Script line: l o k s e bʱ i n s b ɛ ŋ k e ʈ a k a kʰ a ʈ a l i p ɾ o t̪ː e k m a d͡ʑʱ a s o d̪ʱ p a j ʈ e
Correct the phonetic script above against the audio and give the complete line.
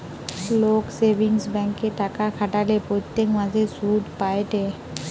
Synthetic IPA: l o k s e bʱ i ŋ s b ɛ ŋ k e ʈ a k a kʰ a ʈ a l e p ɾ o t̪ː e k m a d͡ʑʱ e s u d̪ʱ p a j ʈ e